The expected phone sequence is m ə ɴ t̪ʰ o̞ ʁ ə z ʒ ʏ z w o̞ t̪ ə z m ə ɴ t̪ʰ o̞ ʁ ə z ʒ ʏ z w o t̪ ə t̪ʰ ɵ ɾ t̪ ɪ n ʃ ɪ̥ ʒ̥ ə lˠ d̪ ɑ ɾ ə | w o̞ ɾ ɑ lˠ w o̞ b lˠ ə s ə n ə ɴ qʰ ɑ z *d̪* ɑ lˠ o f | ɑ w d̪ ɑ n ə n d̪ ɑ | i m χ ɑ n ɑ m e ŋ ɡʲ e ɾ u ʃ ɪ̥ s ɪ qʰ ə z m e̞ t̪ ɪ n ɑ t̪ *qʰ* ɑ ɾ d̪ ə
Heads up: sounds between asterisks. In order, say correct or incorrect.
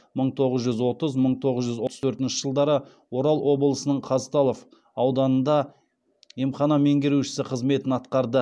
incorrect, incorrect

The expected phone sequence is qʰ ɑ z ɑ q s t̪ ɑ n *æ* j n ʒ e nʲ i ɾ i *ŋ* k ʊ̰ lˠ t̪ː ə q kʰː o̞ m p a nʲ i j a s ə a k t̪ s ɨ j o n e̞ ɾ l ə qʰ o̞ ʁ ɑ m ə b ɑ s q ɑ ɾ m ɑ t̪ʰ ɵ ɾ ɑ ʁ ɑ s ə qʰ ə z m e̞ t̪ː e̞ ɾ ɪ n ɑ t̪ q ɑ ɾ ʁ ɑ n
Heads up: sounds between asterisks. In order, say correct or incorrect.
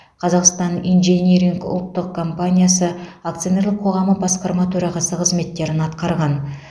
incorrect, correct

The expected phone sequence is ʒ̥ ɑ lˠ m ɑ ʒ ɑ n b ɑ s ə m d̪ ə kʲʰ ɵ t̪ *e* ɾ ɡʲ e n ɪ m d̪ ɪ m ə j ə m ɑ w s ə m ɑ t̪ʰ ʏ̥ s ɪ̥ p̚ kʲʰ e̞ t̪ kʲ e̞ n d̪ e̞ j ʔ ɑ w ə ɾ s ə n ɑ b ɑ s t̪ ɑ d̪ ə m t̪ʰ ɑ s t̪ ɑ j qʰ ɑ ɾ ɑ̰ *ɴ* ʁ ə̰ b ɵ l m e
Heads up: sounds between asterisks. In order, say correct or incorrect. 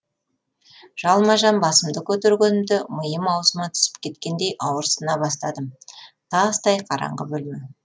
correct, correct

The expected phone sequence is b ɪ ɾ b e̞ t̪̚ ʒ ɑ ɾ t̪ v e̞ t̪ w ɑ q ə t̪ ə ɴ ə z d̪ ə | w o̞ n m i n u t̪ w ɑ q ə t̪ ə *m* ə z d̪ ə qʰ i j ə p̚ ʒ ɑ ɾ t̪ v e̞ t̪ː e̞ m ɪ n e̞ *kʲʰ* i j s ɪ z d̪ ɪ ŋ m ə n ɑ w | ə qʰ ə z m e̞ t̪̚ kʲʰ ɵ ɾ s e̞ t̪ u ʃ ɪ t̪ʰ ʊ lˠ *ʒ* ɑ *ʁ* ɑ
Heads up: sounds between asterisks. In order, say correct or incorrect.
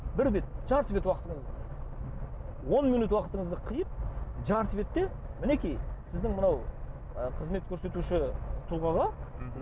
incorrect, incorrect, incorrect, correct

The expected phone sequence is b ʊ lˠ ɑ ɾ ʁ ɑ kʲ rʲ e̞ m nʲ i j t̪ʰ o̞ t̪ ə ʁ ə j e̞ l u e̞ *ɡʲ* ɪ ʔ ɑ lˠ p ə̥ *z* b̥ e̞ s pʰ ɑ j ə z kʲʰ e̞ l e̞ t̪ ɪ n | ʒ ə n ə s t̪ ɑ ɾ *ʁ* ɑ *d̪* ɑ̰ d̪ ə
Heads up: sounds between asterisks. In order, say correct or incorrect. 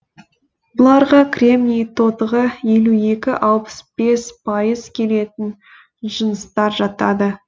incorrect, incorrect, incorrect, incorrect

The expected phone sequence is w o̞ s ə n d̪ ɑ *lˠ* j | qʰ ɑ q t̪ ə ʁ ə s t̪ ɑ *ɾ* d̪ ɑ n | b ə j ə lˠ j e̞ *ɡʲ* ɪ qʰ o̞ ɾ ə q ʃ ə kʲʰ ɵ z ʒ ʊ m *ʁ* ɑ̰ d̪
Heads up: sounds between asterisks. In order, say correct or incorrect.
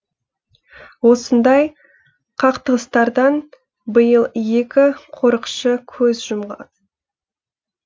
incorrect, correct, incorrect, correct

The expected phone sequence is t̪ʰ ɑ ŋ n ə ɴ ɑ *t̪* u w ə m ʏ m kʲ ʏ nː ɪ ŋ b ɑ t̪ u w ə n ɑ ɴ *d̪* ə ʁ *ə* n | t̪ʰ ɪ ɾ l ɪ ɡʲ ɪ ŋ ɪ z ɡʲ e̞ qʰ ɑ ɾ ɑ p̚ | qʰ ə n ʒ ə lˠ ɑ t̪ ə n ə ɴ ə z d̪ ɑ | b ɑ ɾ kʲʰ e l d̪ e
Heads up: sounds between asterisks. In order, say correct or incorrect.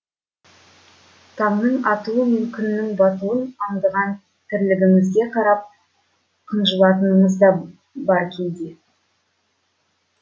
correct, correct, incorrect

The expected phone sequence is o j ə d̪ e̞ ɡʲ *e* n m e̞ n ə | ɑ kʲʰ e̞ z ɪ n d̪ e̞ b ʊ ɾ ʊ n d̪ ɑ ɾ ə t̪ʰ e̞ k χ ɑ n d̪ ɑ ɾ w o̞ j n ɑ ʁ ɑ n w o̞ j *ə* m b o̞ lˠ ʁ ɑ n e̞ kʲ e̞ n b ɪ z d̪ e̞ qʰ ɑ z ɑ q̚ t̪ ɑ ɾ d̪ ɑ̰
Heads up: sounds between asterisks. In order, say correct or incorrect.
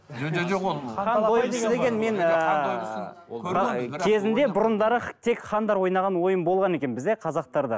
correct, correct

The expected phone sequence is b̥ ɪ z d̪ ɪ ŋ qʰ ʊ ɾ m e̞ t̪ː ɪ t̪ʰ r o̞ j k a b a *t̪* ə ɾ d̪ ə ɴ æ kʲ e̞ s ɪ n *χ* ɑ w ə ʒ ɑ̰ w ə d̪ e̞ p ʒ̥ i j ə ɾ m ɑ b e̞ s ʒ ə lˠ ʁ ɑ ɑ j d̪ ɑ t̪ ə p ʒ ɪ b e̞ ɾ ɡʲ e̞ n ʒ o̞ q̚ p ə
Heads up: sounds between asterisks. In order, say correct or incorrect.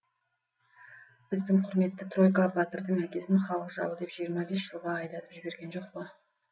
correct, correct

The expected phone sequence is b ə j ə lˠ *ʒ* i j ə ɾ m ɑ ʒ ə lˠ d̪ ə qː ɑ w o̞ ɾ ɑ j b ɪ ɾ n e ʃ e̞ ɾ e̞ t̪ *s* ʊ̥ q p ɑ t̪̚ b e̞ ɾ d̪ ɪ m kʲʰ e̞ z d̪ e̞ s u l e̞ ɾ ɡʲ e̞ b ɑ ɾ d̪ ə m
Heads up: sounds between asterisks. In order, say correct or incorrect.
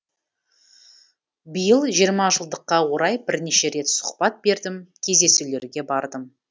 correct, correct

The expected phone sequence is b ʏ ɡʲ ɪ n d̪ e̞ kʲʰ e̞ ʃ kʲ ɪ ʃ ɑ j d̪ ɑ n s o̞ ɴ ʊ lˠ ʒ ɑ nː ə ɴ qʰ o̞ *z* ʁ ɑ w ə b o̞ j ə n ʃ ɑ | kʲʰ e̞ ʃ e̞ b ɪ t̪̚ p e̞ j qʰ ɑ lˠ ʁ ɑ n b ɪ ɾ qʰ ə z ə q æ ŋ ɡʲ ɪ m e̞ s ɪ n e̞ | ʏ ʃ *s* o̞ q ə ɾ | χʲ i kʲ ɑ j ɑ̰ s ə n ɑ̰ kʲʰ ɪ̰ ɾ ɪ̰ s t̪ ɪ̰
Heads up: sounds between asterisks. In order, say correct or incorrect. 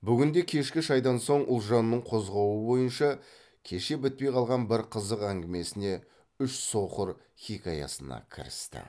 correct, correct

